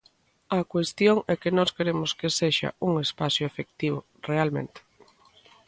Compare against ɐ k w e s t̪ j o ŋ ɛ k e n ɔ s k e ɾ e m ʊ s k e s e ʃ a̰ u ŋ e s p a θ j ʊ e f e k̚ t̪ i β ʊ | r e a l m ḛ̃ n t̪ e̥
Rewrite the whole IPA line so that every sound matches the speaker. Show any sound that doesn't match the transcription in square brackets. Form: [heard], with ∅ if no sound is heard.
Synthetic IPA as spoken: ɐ k w e s t̪ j o ŋ ɛ k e n ɔ s k e ɾ e m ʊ s k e s e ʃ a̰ u ŋ e s p a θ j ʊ e f e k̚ t̪ i β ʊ | r e a l m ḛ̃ n t̪ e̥